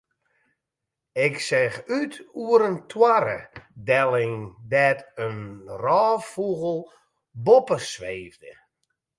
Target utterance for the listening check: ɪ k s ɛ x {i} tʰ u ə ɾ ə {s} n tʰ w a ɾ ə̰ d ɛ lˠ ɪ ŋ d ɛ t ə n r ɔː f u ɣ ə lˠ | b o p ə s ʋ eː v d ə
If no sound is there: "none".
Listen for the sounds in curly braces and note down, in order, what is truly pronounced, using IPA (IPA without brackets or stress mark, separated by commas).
y, none